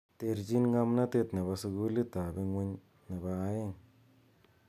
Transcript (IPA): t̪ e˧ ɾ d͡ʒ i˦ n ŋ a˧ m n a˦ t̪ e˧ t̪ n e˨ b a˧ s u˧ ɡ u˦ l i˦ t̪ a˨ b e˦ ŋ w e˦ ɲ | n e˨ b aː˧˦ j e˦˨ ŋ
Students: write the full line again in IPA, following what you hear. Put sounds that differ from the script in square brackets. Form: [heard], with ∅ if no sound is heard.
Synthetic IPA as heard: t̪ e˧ ɾ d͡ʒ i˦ n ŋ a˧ m n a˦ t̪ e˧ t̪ n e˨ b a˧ s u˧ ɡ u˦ l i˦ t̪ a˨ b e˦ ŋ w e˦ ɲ | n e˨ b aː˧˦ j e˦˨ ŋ